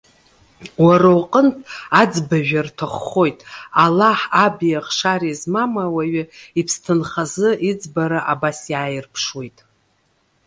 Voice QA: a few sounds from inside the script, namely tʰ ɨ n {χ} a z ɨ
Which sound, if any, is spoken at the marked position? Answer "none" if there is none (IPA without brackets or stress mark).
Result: χ